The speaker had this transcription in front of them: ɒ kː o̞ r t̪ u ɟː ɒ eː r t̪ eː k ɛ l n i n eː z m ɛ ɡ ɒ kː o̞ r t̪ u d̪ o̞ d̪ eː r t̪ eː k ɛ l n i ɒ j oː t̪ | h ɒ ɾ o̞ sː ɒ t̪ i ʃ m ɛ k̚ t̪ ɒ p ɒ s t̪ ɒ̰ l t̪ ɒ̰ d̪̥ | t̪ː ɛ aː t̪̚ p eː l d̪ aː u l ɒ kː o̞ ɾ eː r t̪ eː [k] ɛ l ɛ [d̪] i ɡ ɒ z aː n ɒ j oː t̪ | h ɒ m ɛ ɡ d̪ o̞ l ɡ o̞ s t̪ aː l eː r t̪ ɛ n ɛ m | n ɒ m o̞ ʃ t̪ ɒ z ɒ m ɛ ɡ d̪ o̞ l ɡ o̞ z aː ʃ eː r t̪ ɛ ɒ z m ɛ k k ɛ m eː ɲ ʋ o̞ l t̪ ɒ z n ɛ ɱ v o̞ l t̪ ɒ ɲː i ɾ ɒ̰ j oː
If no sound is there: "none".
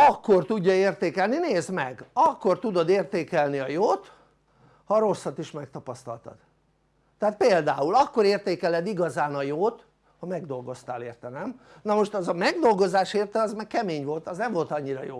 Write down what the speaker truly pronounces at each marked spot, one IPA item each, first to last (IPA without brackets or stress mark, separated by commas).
k, d̪